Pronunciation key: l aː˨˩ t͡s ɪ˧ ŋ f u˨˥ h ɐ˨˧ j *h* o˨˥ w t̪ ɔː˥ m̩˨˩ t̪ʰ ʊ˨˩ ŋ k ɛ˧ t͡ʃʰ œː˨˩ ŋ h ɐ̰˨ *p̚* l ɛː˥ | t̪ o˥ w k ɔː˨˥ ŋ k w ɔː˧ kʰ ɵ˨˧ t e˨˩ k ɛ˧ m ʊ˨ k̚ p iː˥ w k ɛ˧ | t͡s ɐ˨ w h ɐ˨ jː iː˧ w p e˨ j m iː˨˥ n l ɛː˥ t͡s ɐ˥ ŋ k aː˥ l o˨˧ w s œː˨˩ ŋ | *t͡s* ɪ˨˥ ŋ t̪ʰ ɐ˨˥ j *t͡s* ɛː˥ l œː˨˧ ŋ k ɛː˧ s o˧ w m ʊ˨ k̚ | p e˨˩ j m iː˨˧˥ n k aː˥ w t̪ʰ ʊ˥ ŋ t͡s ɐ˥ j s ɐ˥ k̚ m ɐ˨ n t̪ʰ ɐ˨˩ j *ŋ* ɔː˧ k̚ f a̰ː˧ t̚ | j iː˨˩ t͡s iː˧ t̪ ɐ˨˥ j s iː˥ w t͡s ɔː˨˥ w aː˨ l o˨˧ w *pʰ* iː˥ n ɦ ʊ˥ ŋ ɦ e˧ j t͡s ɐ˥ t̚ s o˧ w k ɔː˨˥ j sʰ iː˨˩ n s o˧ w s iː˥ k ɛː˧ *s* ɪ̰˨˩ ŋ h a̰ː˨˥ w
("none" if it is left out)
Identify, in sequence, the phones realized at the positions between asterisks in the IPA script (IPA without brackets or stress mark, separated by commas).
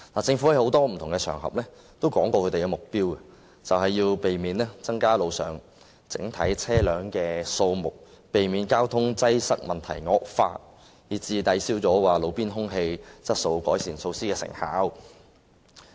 h, p̚, t͡s, t͡sʰ, ŋ, p, s